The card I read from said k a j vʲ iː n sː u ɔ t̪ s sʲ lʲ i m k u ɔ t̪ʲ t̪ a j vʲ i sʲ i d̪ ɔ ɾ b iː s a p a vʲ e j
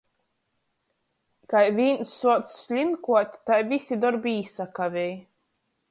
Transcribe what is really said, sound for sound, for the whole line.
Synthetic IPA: k a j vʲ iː n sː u ɔ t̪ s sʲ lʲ i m k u ɔ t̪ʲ t̪ a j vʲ i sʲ i d̪ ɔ ɾ b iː s a k a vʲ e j

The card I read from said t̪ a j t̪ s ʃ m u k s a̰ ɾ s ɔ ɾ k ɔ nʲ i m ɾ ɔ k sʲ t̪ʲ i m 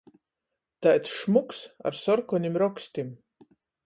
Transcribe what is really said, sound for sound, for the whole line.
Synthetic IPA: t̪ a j t̪ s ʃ m u k s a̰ ɾ s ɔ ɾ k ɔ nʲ i m ɾ ɔ k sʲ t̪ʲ i m

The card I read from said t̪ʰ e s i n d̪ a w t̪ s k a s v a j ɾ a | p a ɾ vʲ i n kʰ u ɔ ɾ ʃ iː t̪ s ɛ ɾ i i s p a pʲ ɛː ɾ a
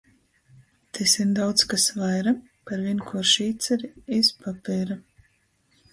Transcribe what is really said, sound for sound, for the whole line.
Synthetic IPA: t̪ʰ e s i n d̪ a w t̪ s k a s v a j ɾ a | p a ɾ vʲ i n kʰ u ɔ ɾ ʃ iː t̪ s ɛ ɾ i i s p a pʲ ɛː ɾ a

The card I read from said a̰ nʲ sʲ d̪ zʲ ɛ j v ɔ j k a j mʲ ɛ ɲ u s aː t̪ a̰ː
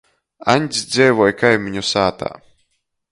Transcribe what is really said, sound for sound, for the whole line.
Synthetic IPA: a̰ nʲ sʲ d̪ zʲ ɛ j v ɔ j k a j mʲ i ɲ u s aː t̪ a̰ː

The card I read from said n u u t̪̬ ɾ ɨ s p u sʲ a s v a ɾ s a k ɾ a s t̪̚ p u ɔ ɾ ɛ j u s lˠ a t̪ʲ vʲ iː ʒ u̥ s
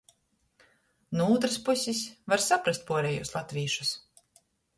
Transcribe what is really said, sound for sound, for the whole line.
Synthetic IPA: n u uː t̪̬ ɾ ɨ s p u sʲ i s v a ɾ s a p ɾ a s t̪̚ p u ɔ ɾ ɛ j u s lˠ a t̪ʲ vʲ iː ʃ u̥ s

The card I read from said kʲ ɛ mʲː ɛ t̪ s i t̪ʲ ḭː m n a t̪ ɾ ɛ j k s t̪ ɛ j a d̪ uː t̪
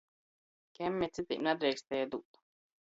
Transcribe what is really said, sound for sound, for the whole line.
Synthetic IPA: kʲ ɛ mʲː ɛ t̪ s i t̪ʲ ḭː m n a d̪ ɾ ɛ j k s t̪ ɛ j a d̪ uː t̪

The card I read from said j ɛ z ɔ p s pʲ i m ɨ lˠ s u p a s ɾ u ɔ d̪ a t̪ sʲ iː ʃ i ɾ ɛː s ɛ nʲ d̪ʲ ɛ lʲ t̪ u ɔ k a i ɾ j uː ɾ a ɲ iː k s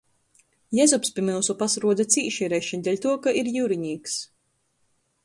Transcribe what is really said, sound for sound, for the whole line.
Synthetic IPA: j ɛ z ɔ p s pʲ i m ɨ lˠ s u p a s ɾ u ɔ d̪ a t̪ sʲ iː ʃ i ɾ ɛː ʃ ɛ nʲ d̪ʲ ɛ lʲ t̪ u ɔ k a i ɾ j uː ɾ i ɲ iː k s

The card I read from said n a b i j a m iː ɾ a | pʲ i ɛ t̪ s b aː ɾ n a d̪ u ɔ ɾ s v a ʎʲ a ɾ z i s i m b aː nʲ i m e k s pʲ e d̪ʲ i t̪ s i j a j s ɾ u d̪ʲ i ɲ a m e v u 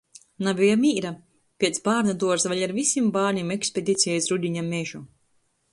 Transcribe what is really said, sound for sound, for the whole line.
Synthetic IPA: n a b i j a m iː ɾ a | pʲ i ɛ t̪ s b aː ɾ n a d̪ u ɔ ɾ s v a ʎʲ a ɾ v i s i m b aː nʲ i m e k s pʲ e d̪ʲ i t̪ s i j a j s ɾ u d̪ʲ i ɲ a m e ʒ u

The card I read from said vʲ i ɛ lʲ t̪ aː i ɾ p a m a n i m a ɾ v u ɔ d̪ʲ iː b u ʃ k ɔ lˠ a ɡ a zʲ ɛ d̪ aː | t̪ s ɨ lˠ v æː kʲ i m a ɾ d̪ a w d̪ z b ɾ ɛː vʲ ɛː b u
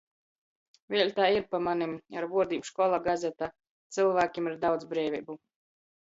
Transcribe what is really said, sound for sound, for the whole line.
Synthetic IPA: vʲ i ɛ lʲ t̪ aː i ɾ p a m a n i m a ɾ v u ɔ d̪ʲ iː b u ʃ k ɔ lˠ a ɡ a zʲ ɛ t̪ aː | t̪ s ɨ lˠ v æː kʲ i m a ɾ d̪ a w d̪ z b ɾ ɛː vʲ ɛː b u

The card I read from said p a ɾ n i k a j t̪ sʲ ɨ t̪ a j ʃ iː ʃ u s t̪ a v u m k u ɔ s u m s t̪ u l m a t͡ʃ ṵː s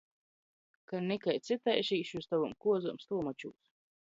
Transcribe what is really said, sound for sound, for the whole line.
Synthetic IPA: k a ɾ n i k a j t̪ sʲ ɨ t̪ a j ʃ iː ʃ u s t̪ a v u m k u ɔ z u m s t̪ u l m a t͡ʃ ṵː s

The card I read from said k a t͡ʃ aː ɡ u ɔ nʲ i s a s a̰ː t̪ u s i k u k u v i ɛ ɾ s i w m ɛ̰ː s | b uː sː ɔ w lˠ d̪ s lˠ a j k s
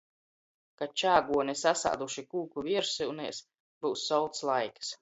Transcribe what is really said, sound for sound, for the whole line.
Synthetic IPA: k a t͡ʃ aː ɡ u ɔ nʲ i s a s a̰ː d̪ u ʃ i k uː k u v i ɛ ɾ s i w n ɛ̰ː s | b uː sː ɔ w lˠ t̪ s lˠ a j k s

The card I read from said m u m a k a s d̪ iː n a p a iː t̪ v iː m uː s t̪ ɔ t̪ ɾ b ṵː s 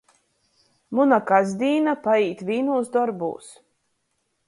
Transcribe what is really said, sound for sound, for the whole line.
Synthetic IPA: m u n a k a z d̪ iː n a p a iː t̪ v iː n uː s d̪ ɔ ɾ b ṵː s

